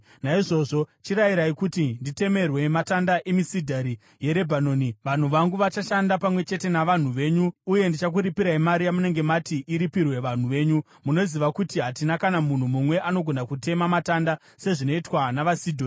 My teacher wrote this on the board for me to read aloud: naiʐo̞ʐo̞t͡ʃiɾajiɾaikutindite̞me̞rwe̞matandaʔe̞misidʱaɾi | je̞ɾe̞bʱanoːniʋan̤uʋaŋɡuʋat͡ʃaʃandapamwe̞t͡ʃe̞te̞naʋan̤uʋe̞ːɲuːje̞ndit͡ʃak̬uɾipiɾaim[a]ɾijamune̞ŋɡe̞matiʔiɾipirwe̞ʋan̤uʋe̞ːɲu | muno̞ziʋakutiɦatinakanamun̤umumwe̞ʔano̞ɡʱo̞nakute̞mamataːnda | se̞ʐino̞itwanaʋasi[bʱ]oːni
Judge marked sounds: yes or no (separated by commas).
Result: yes, no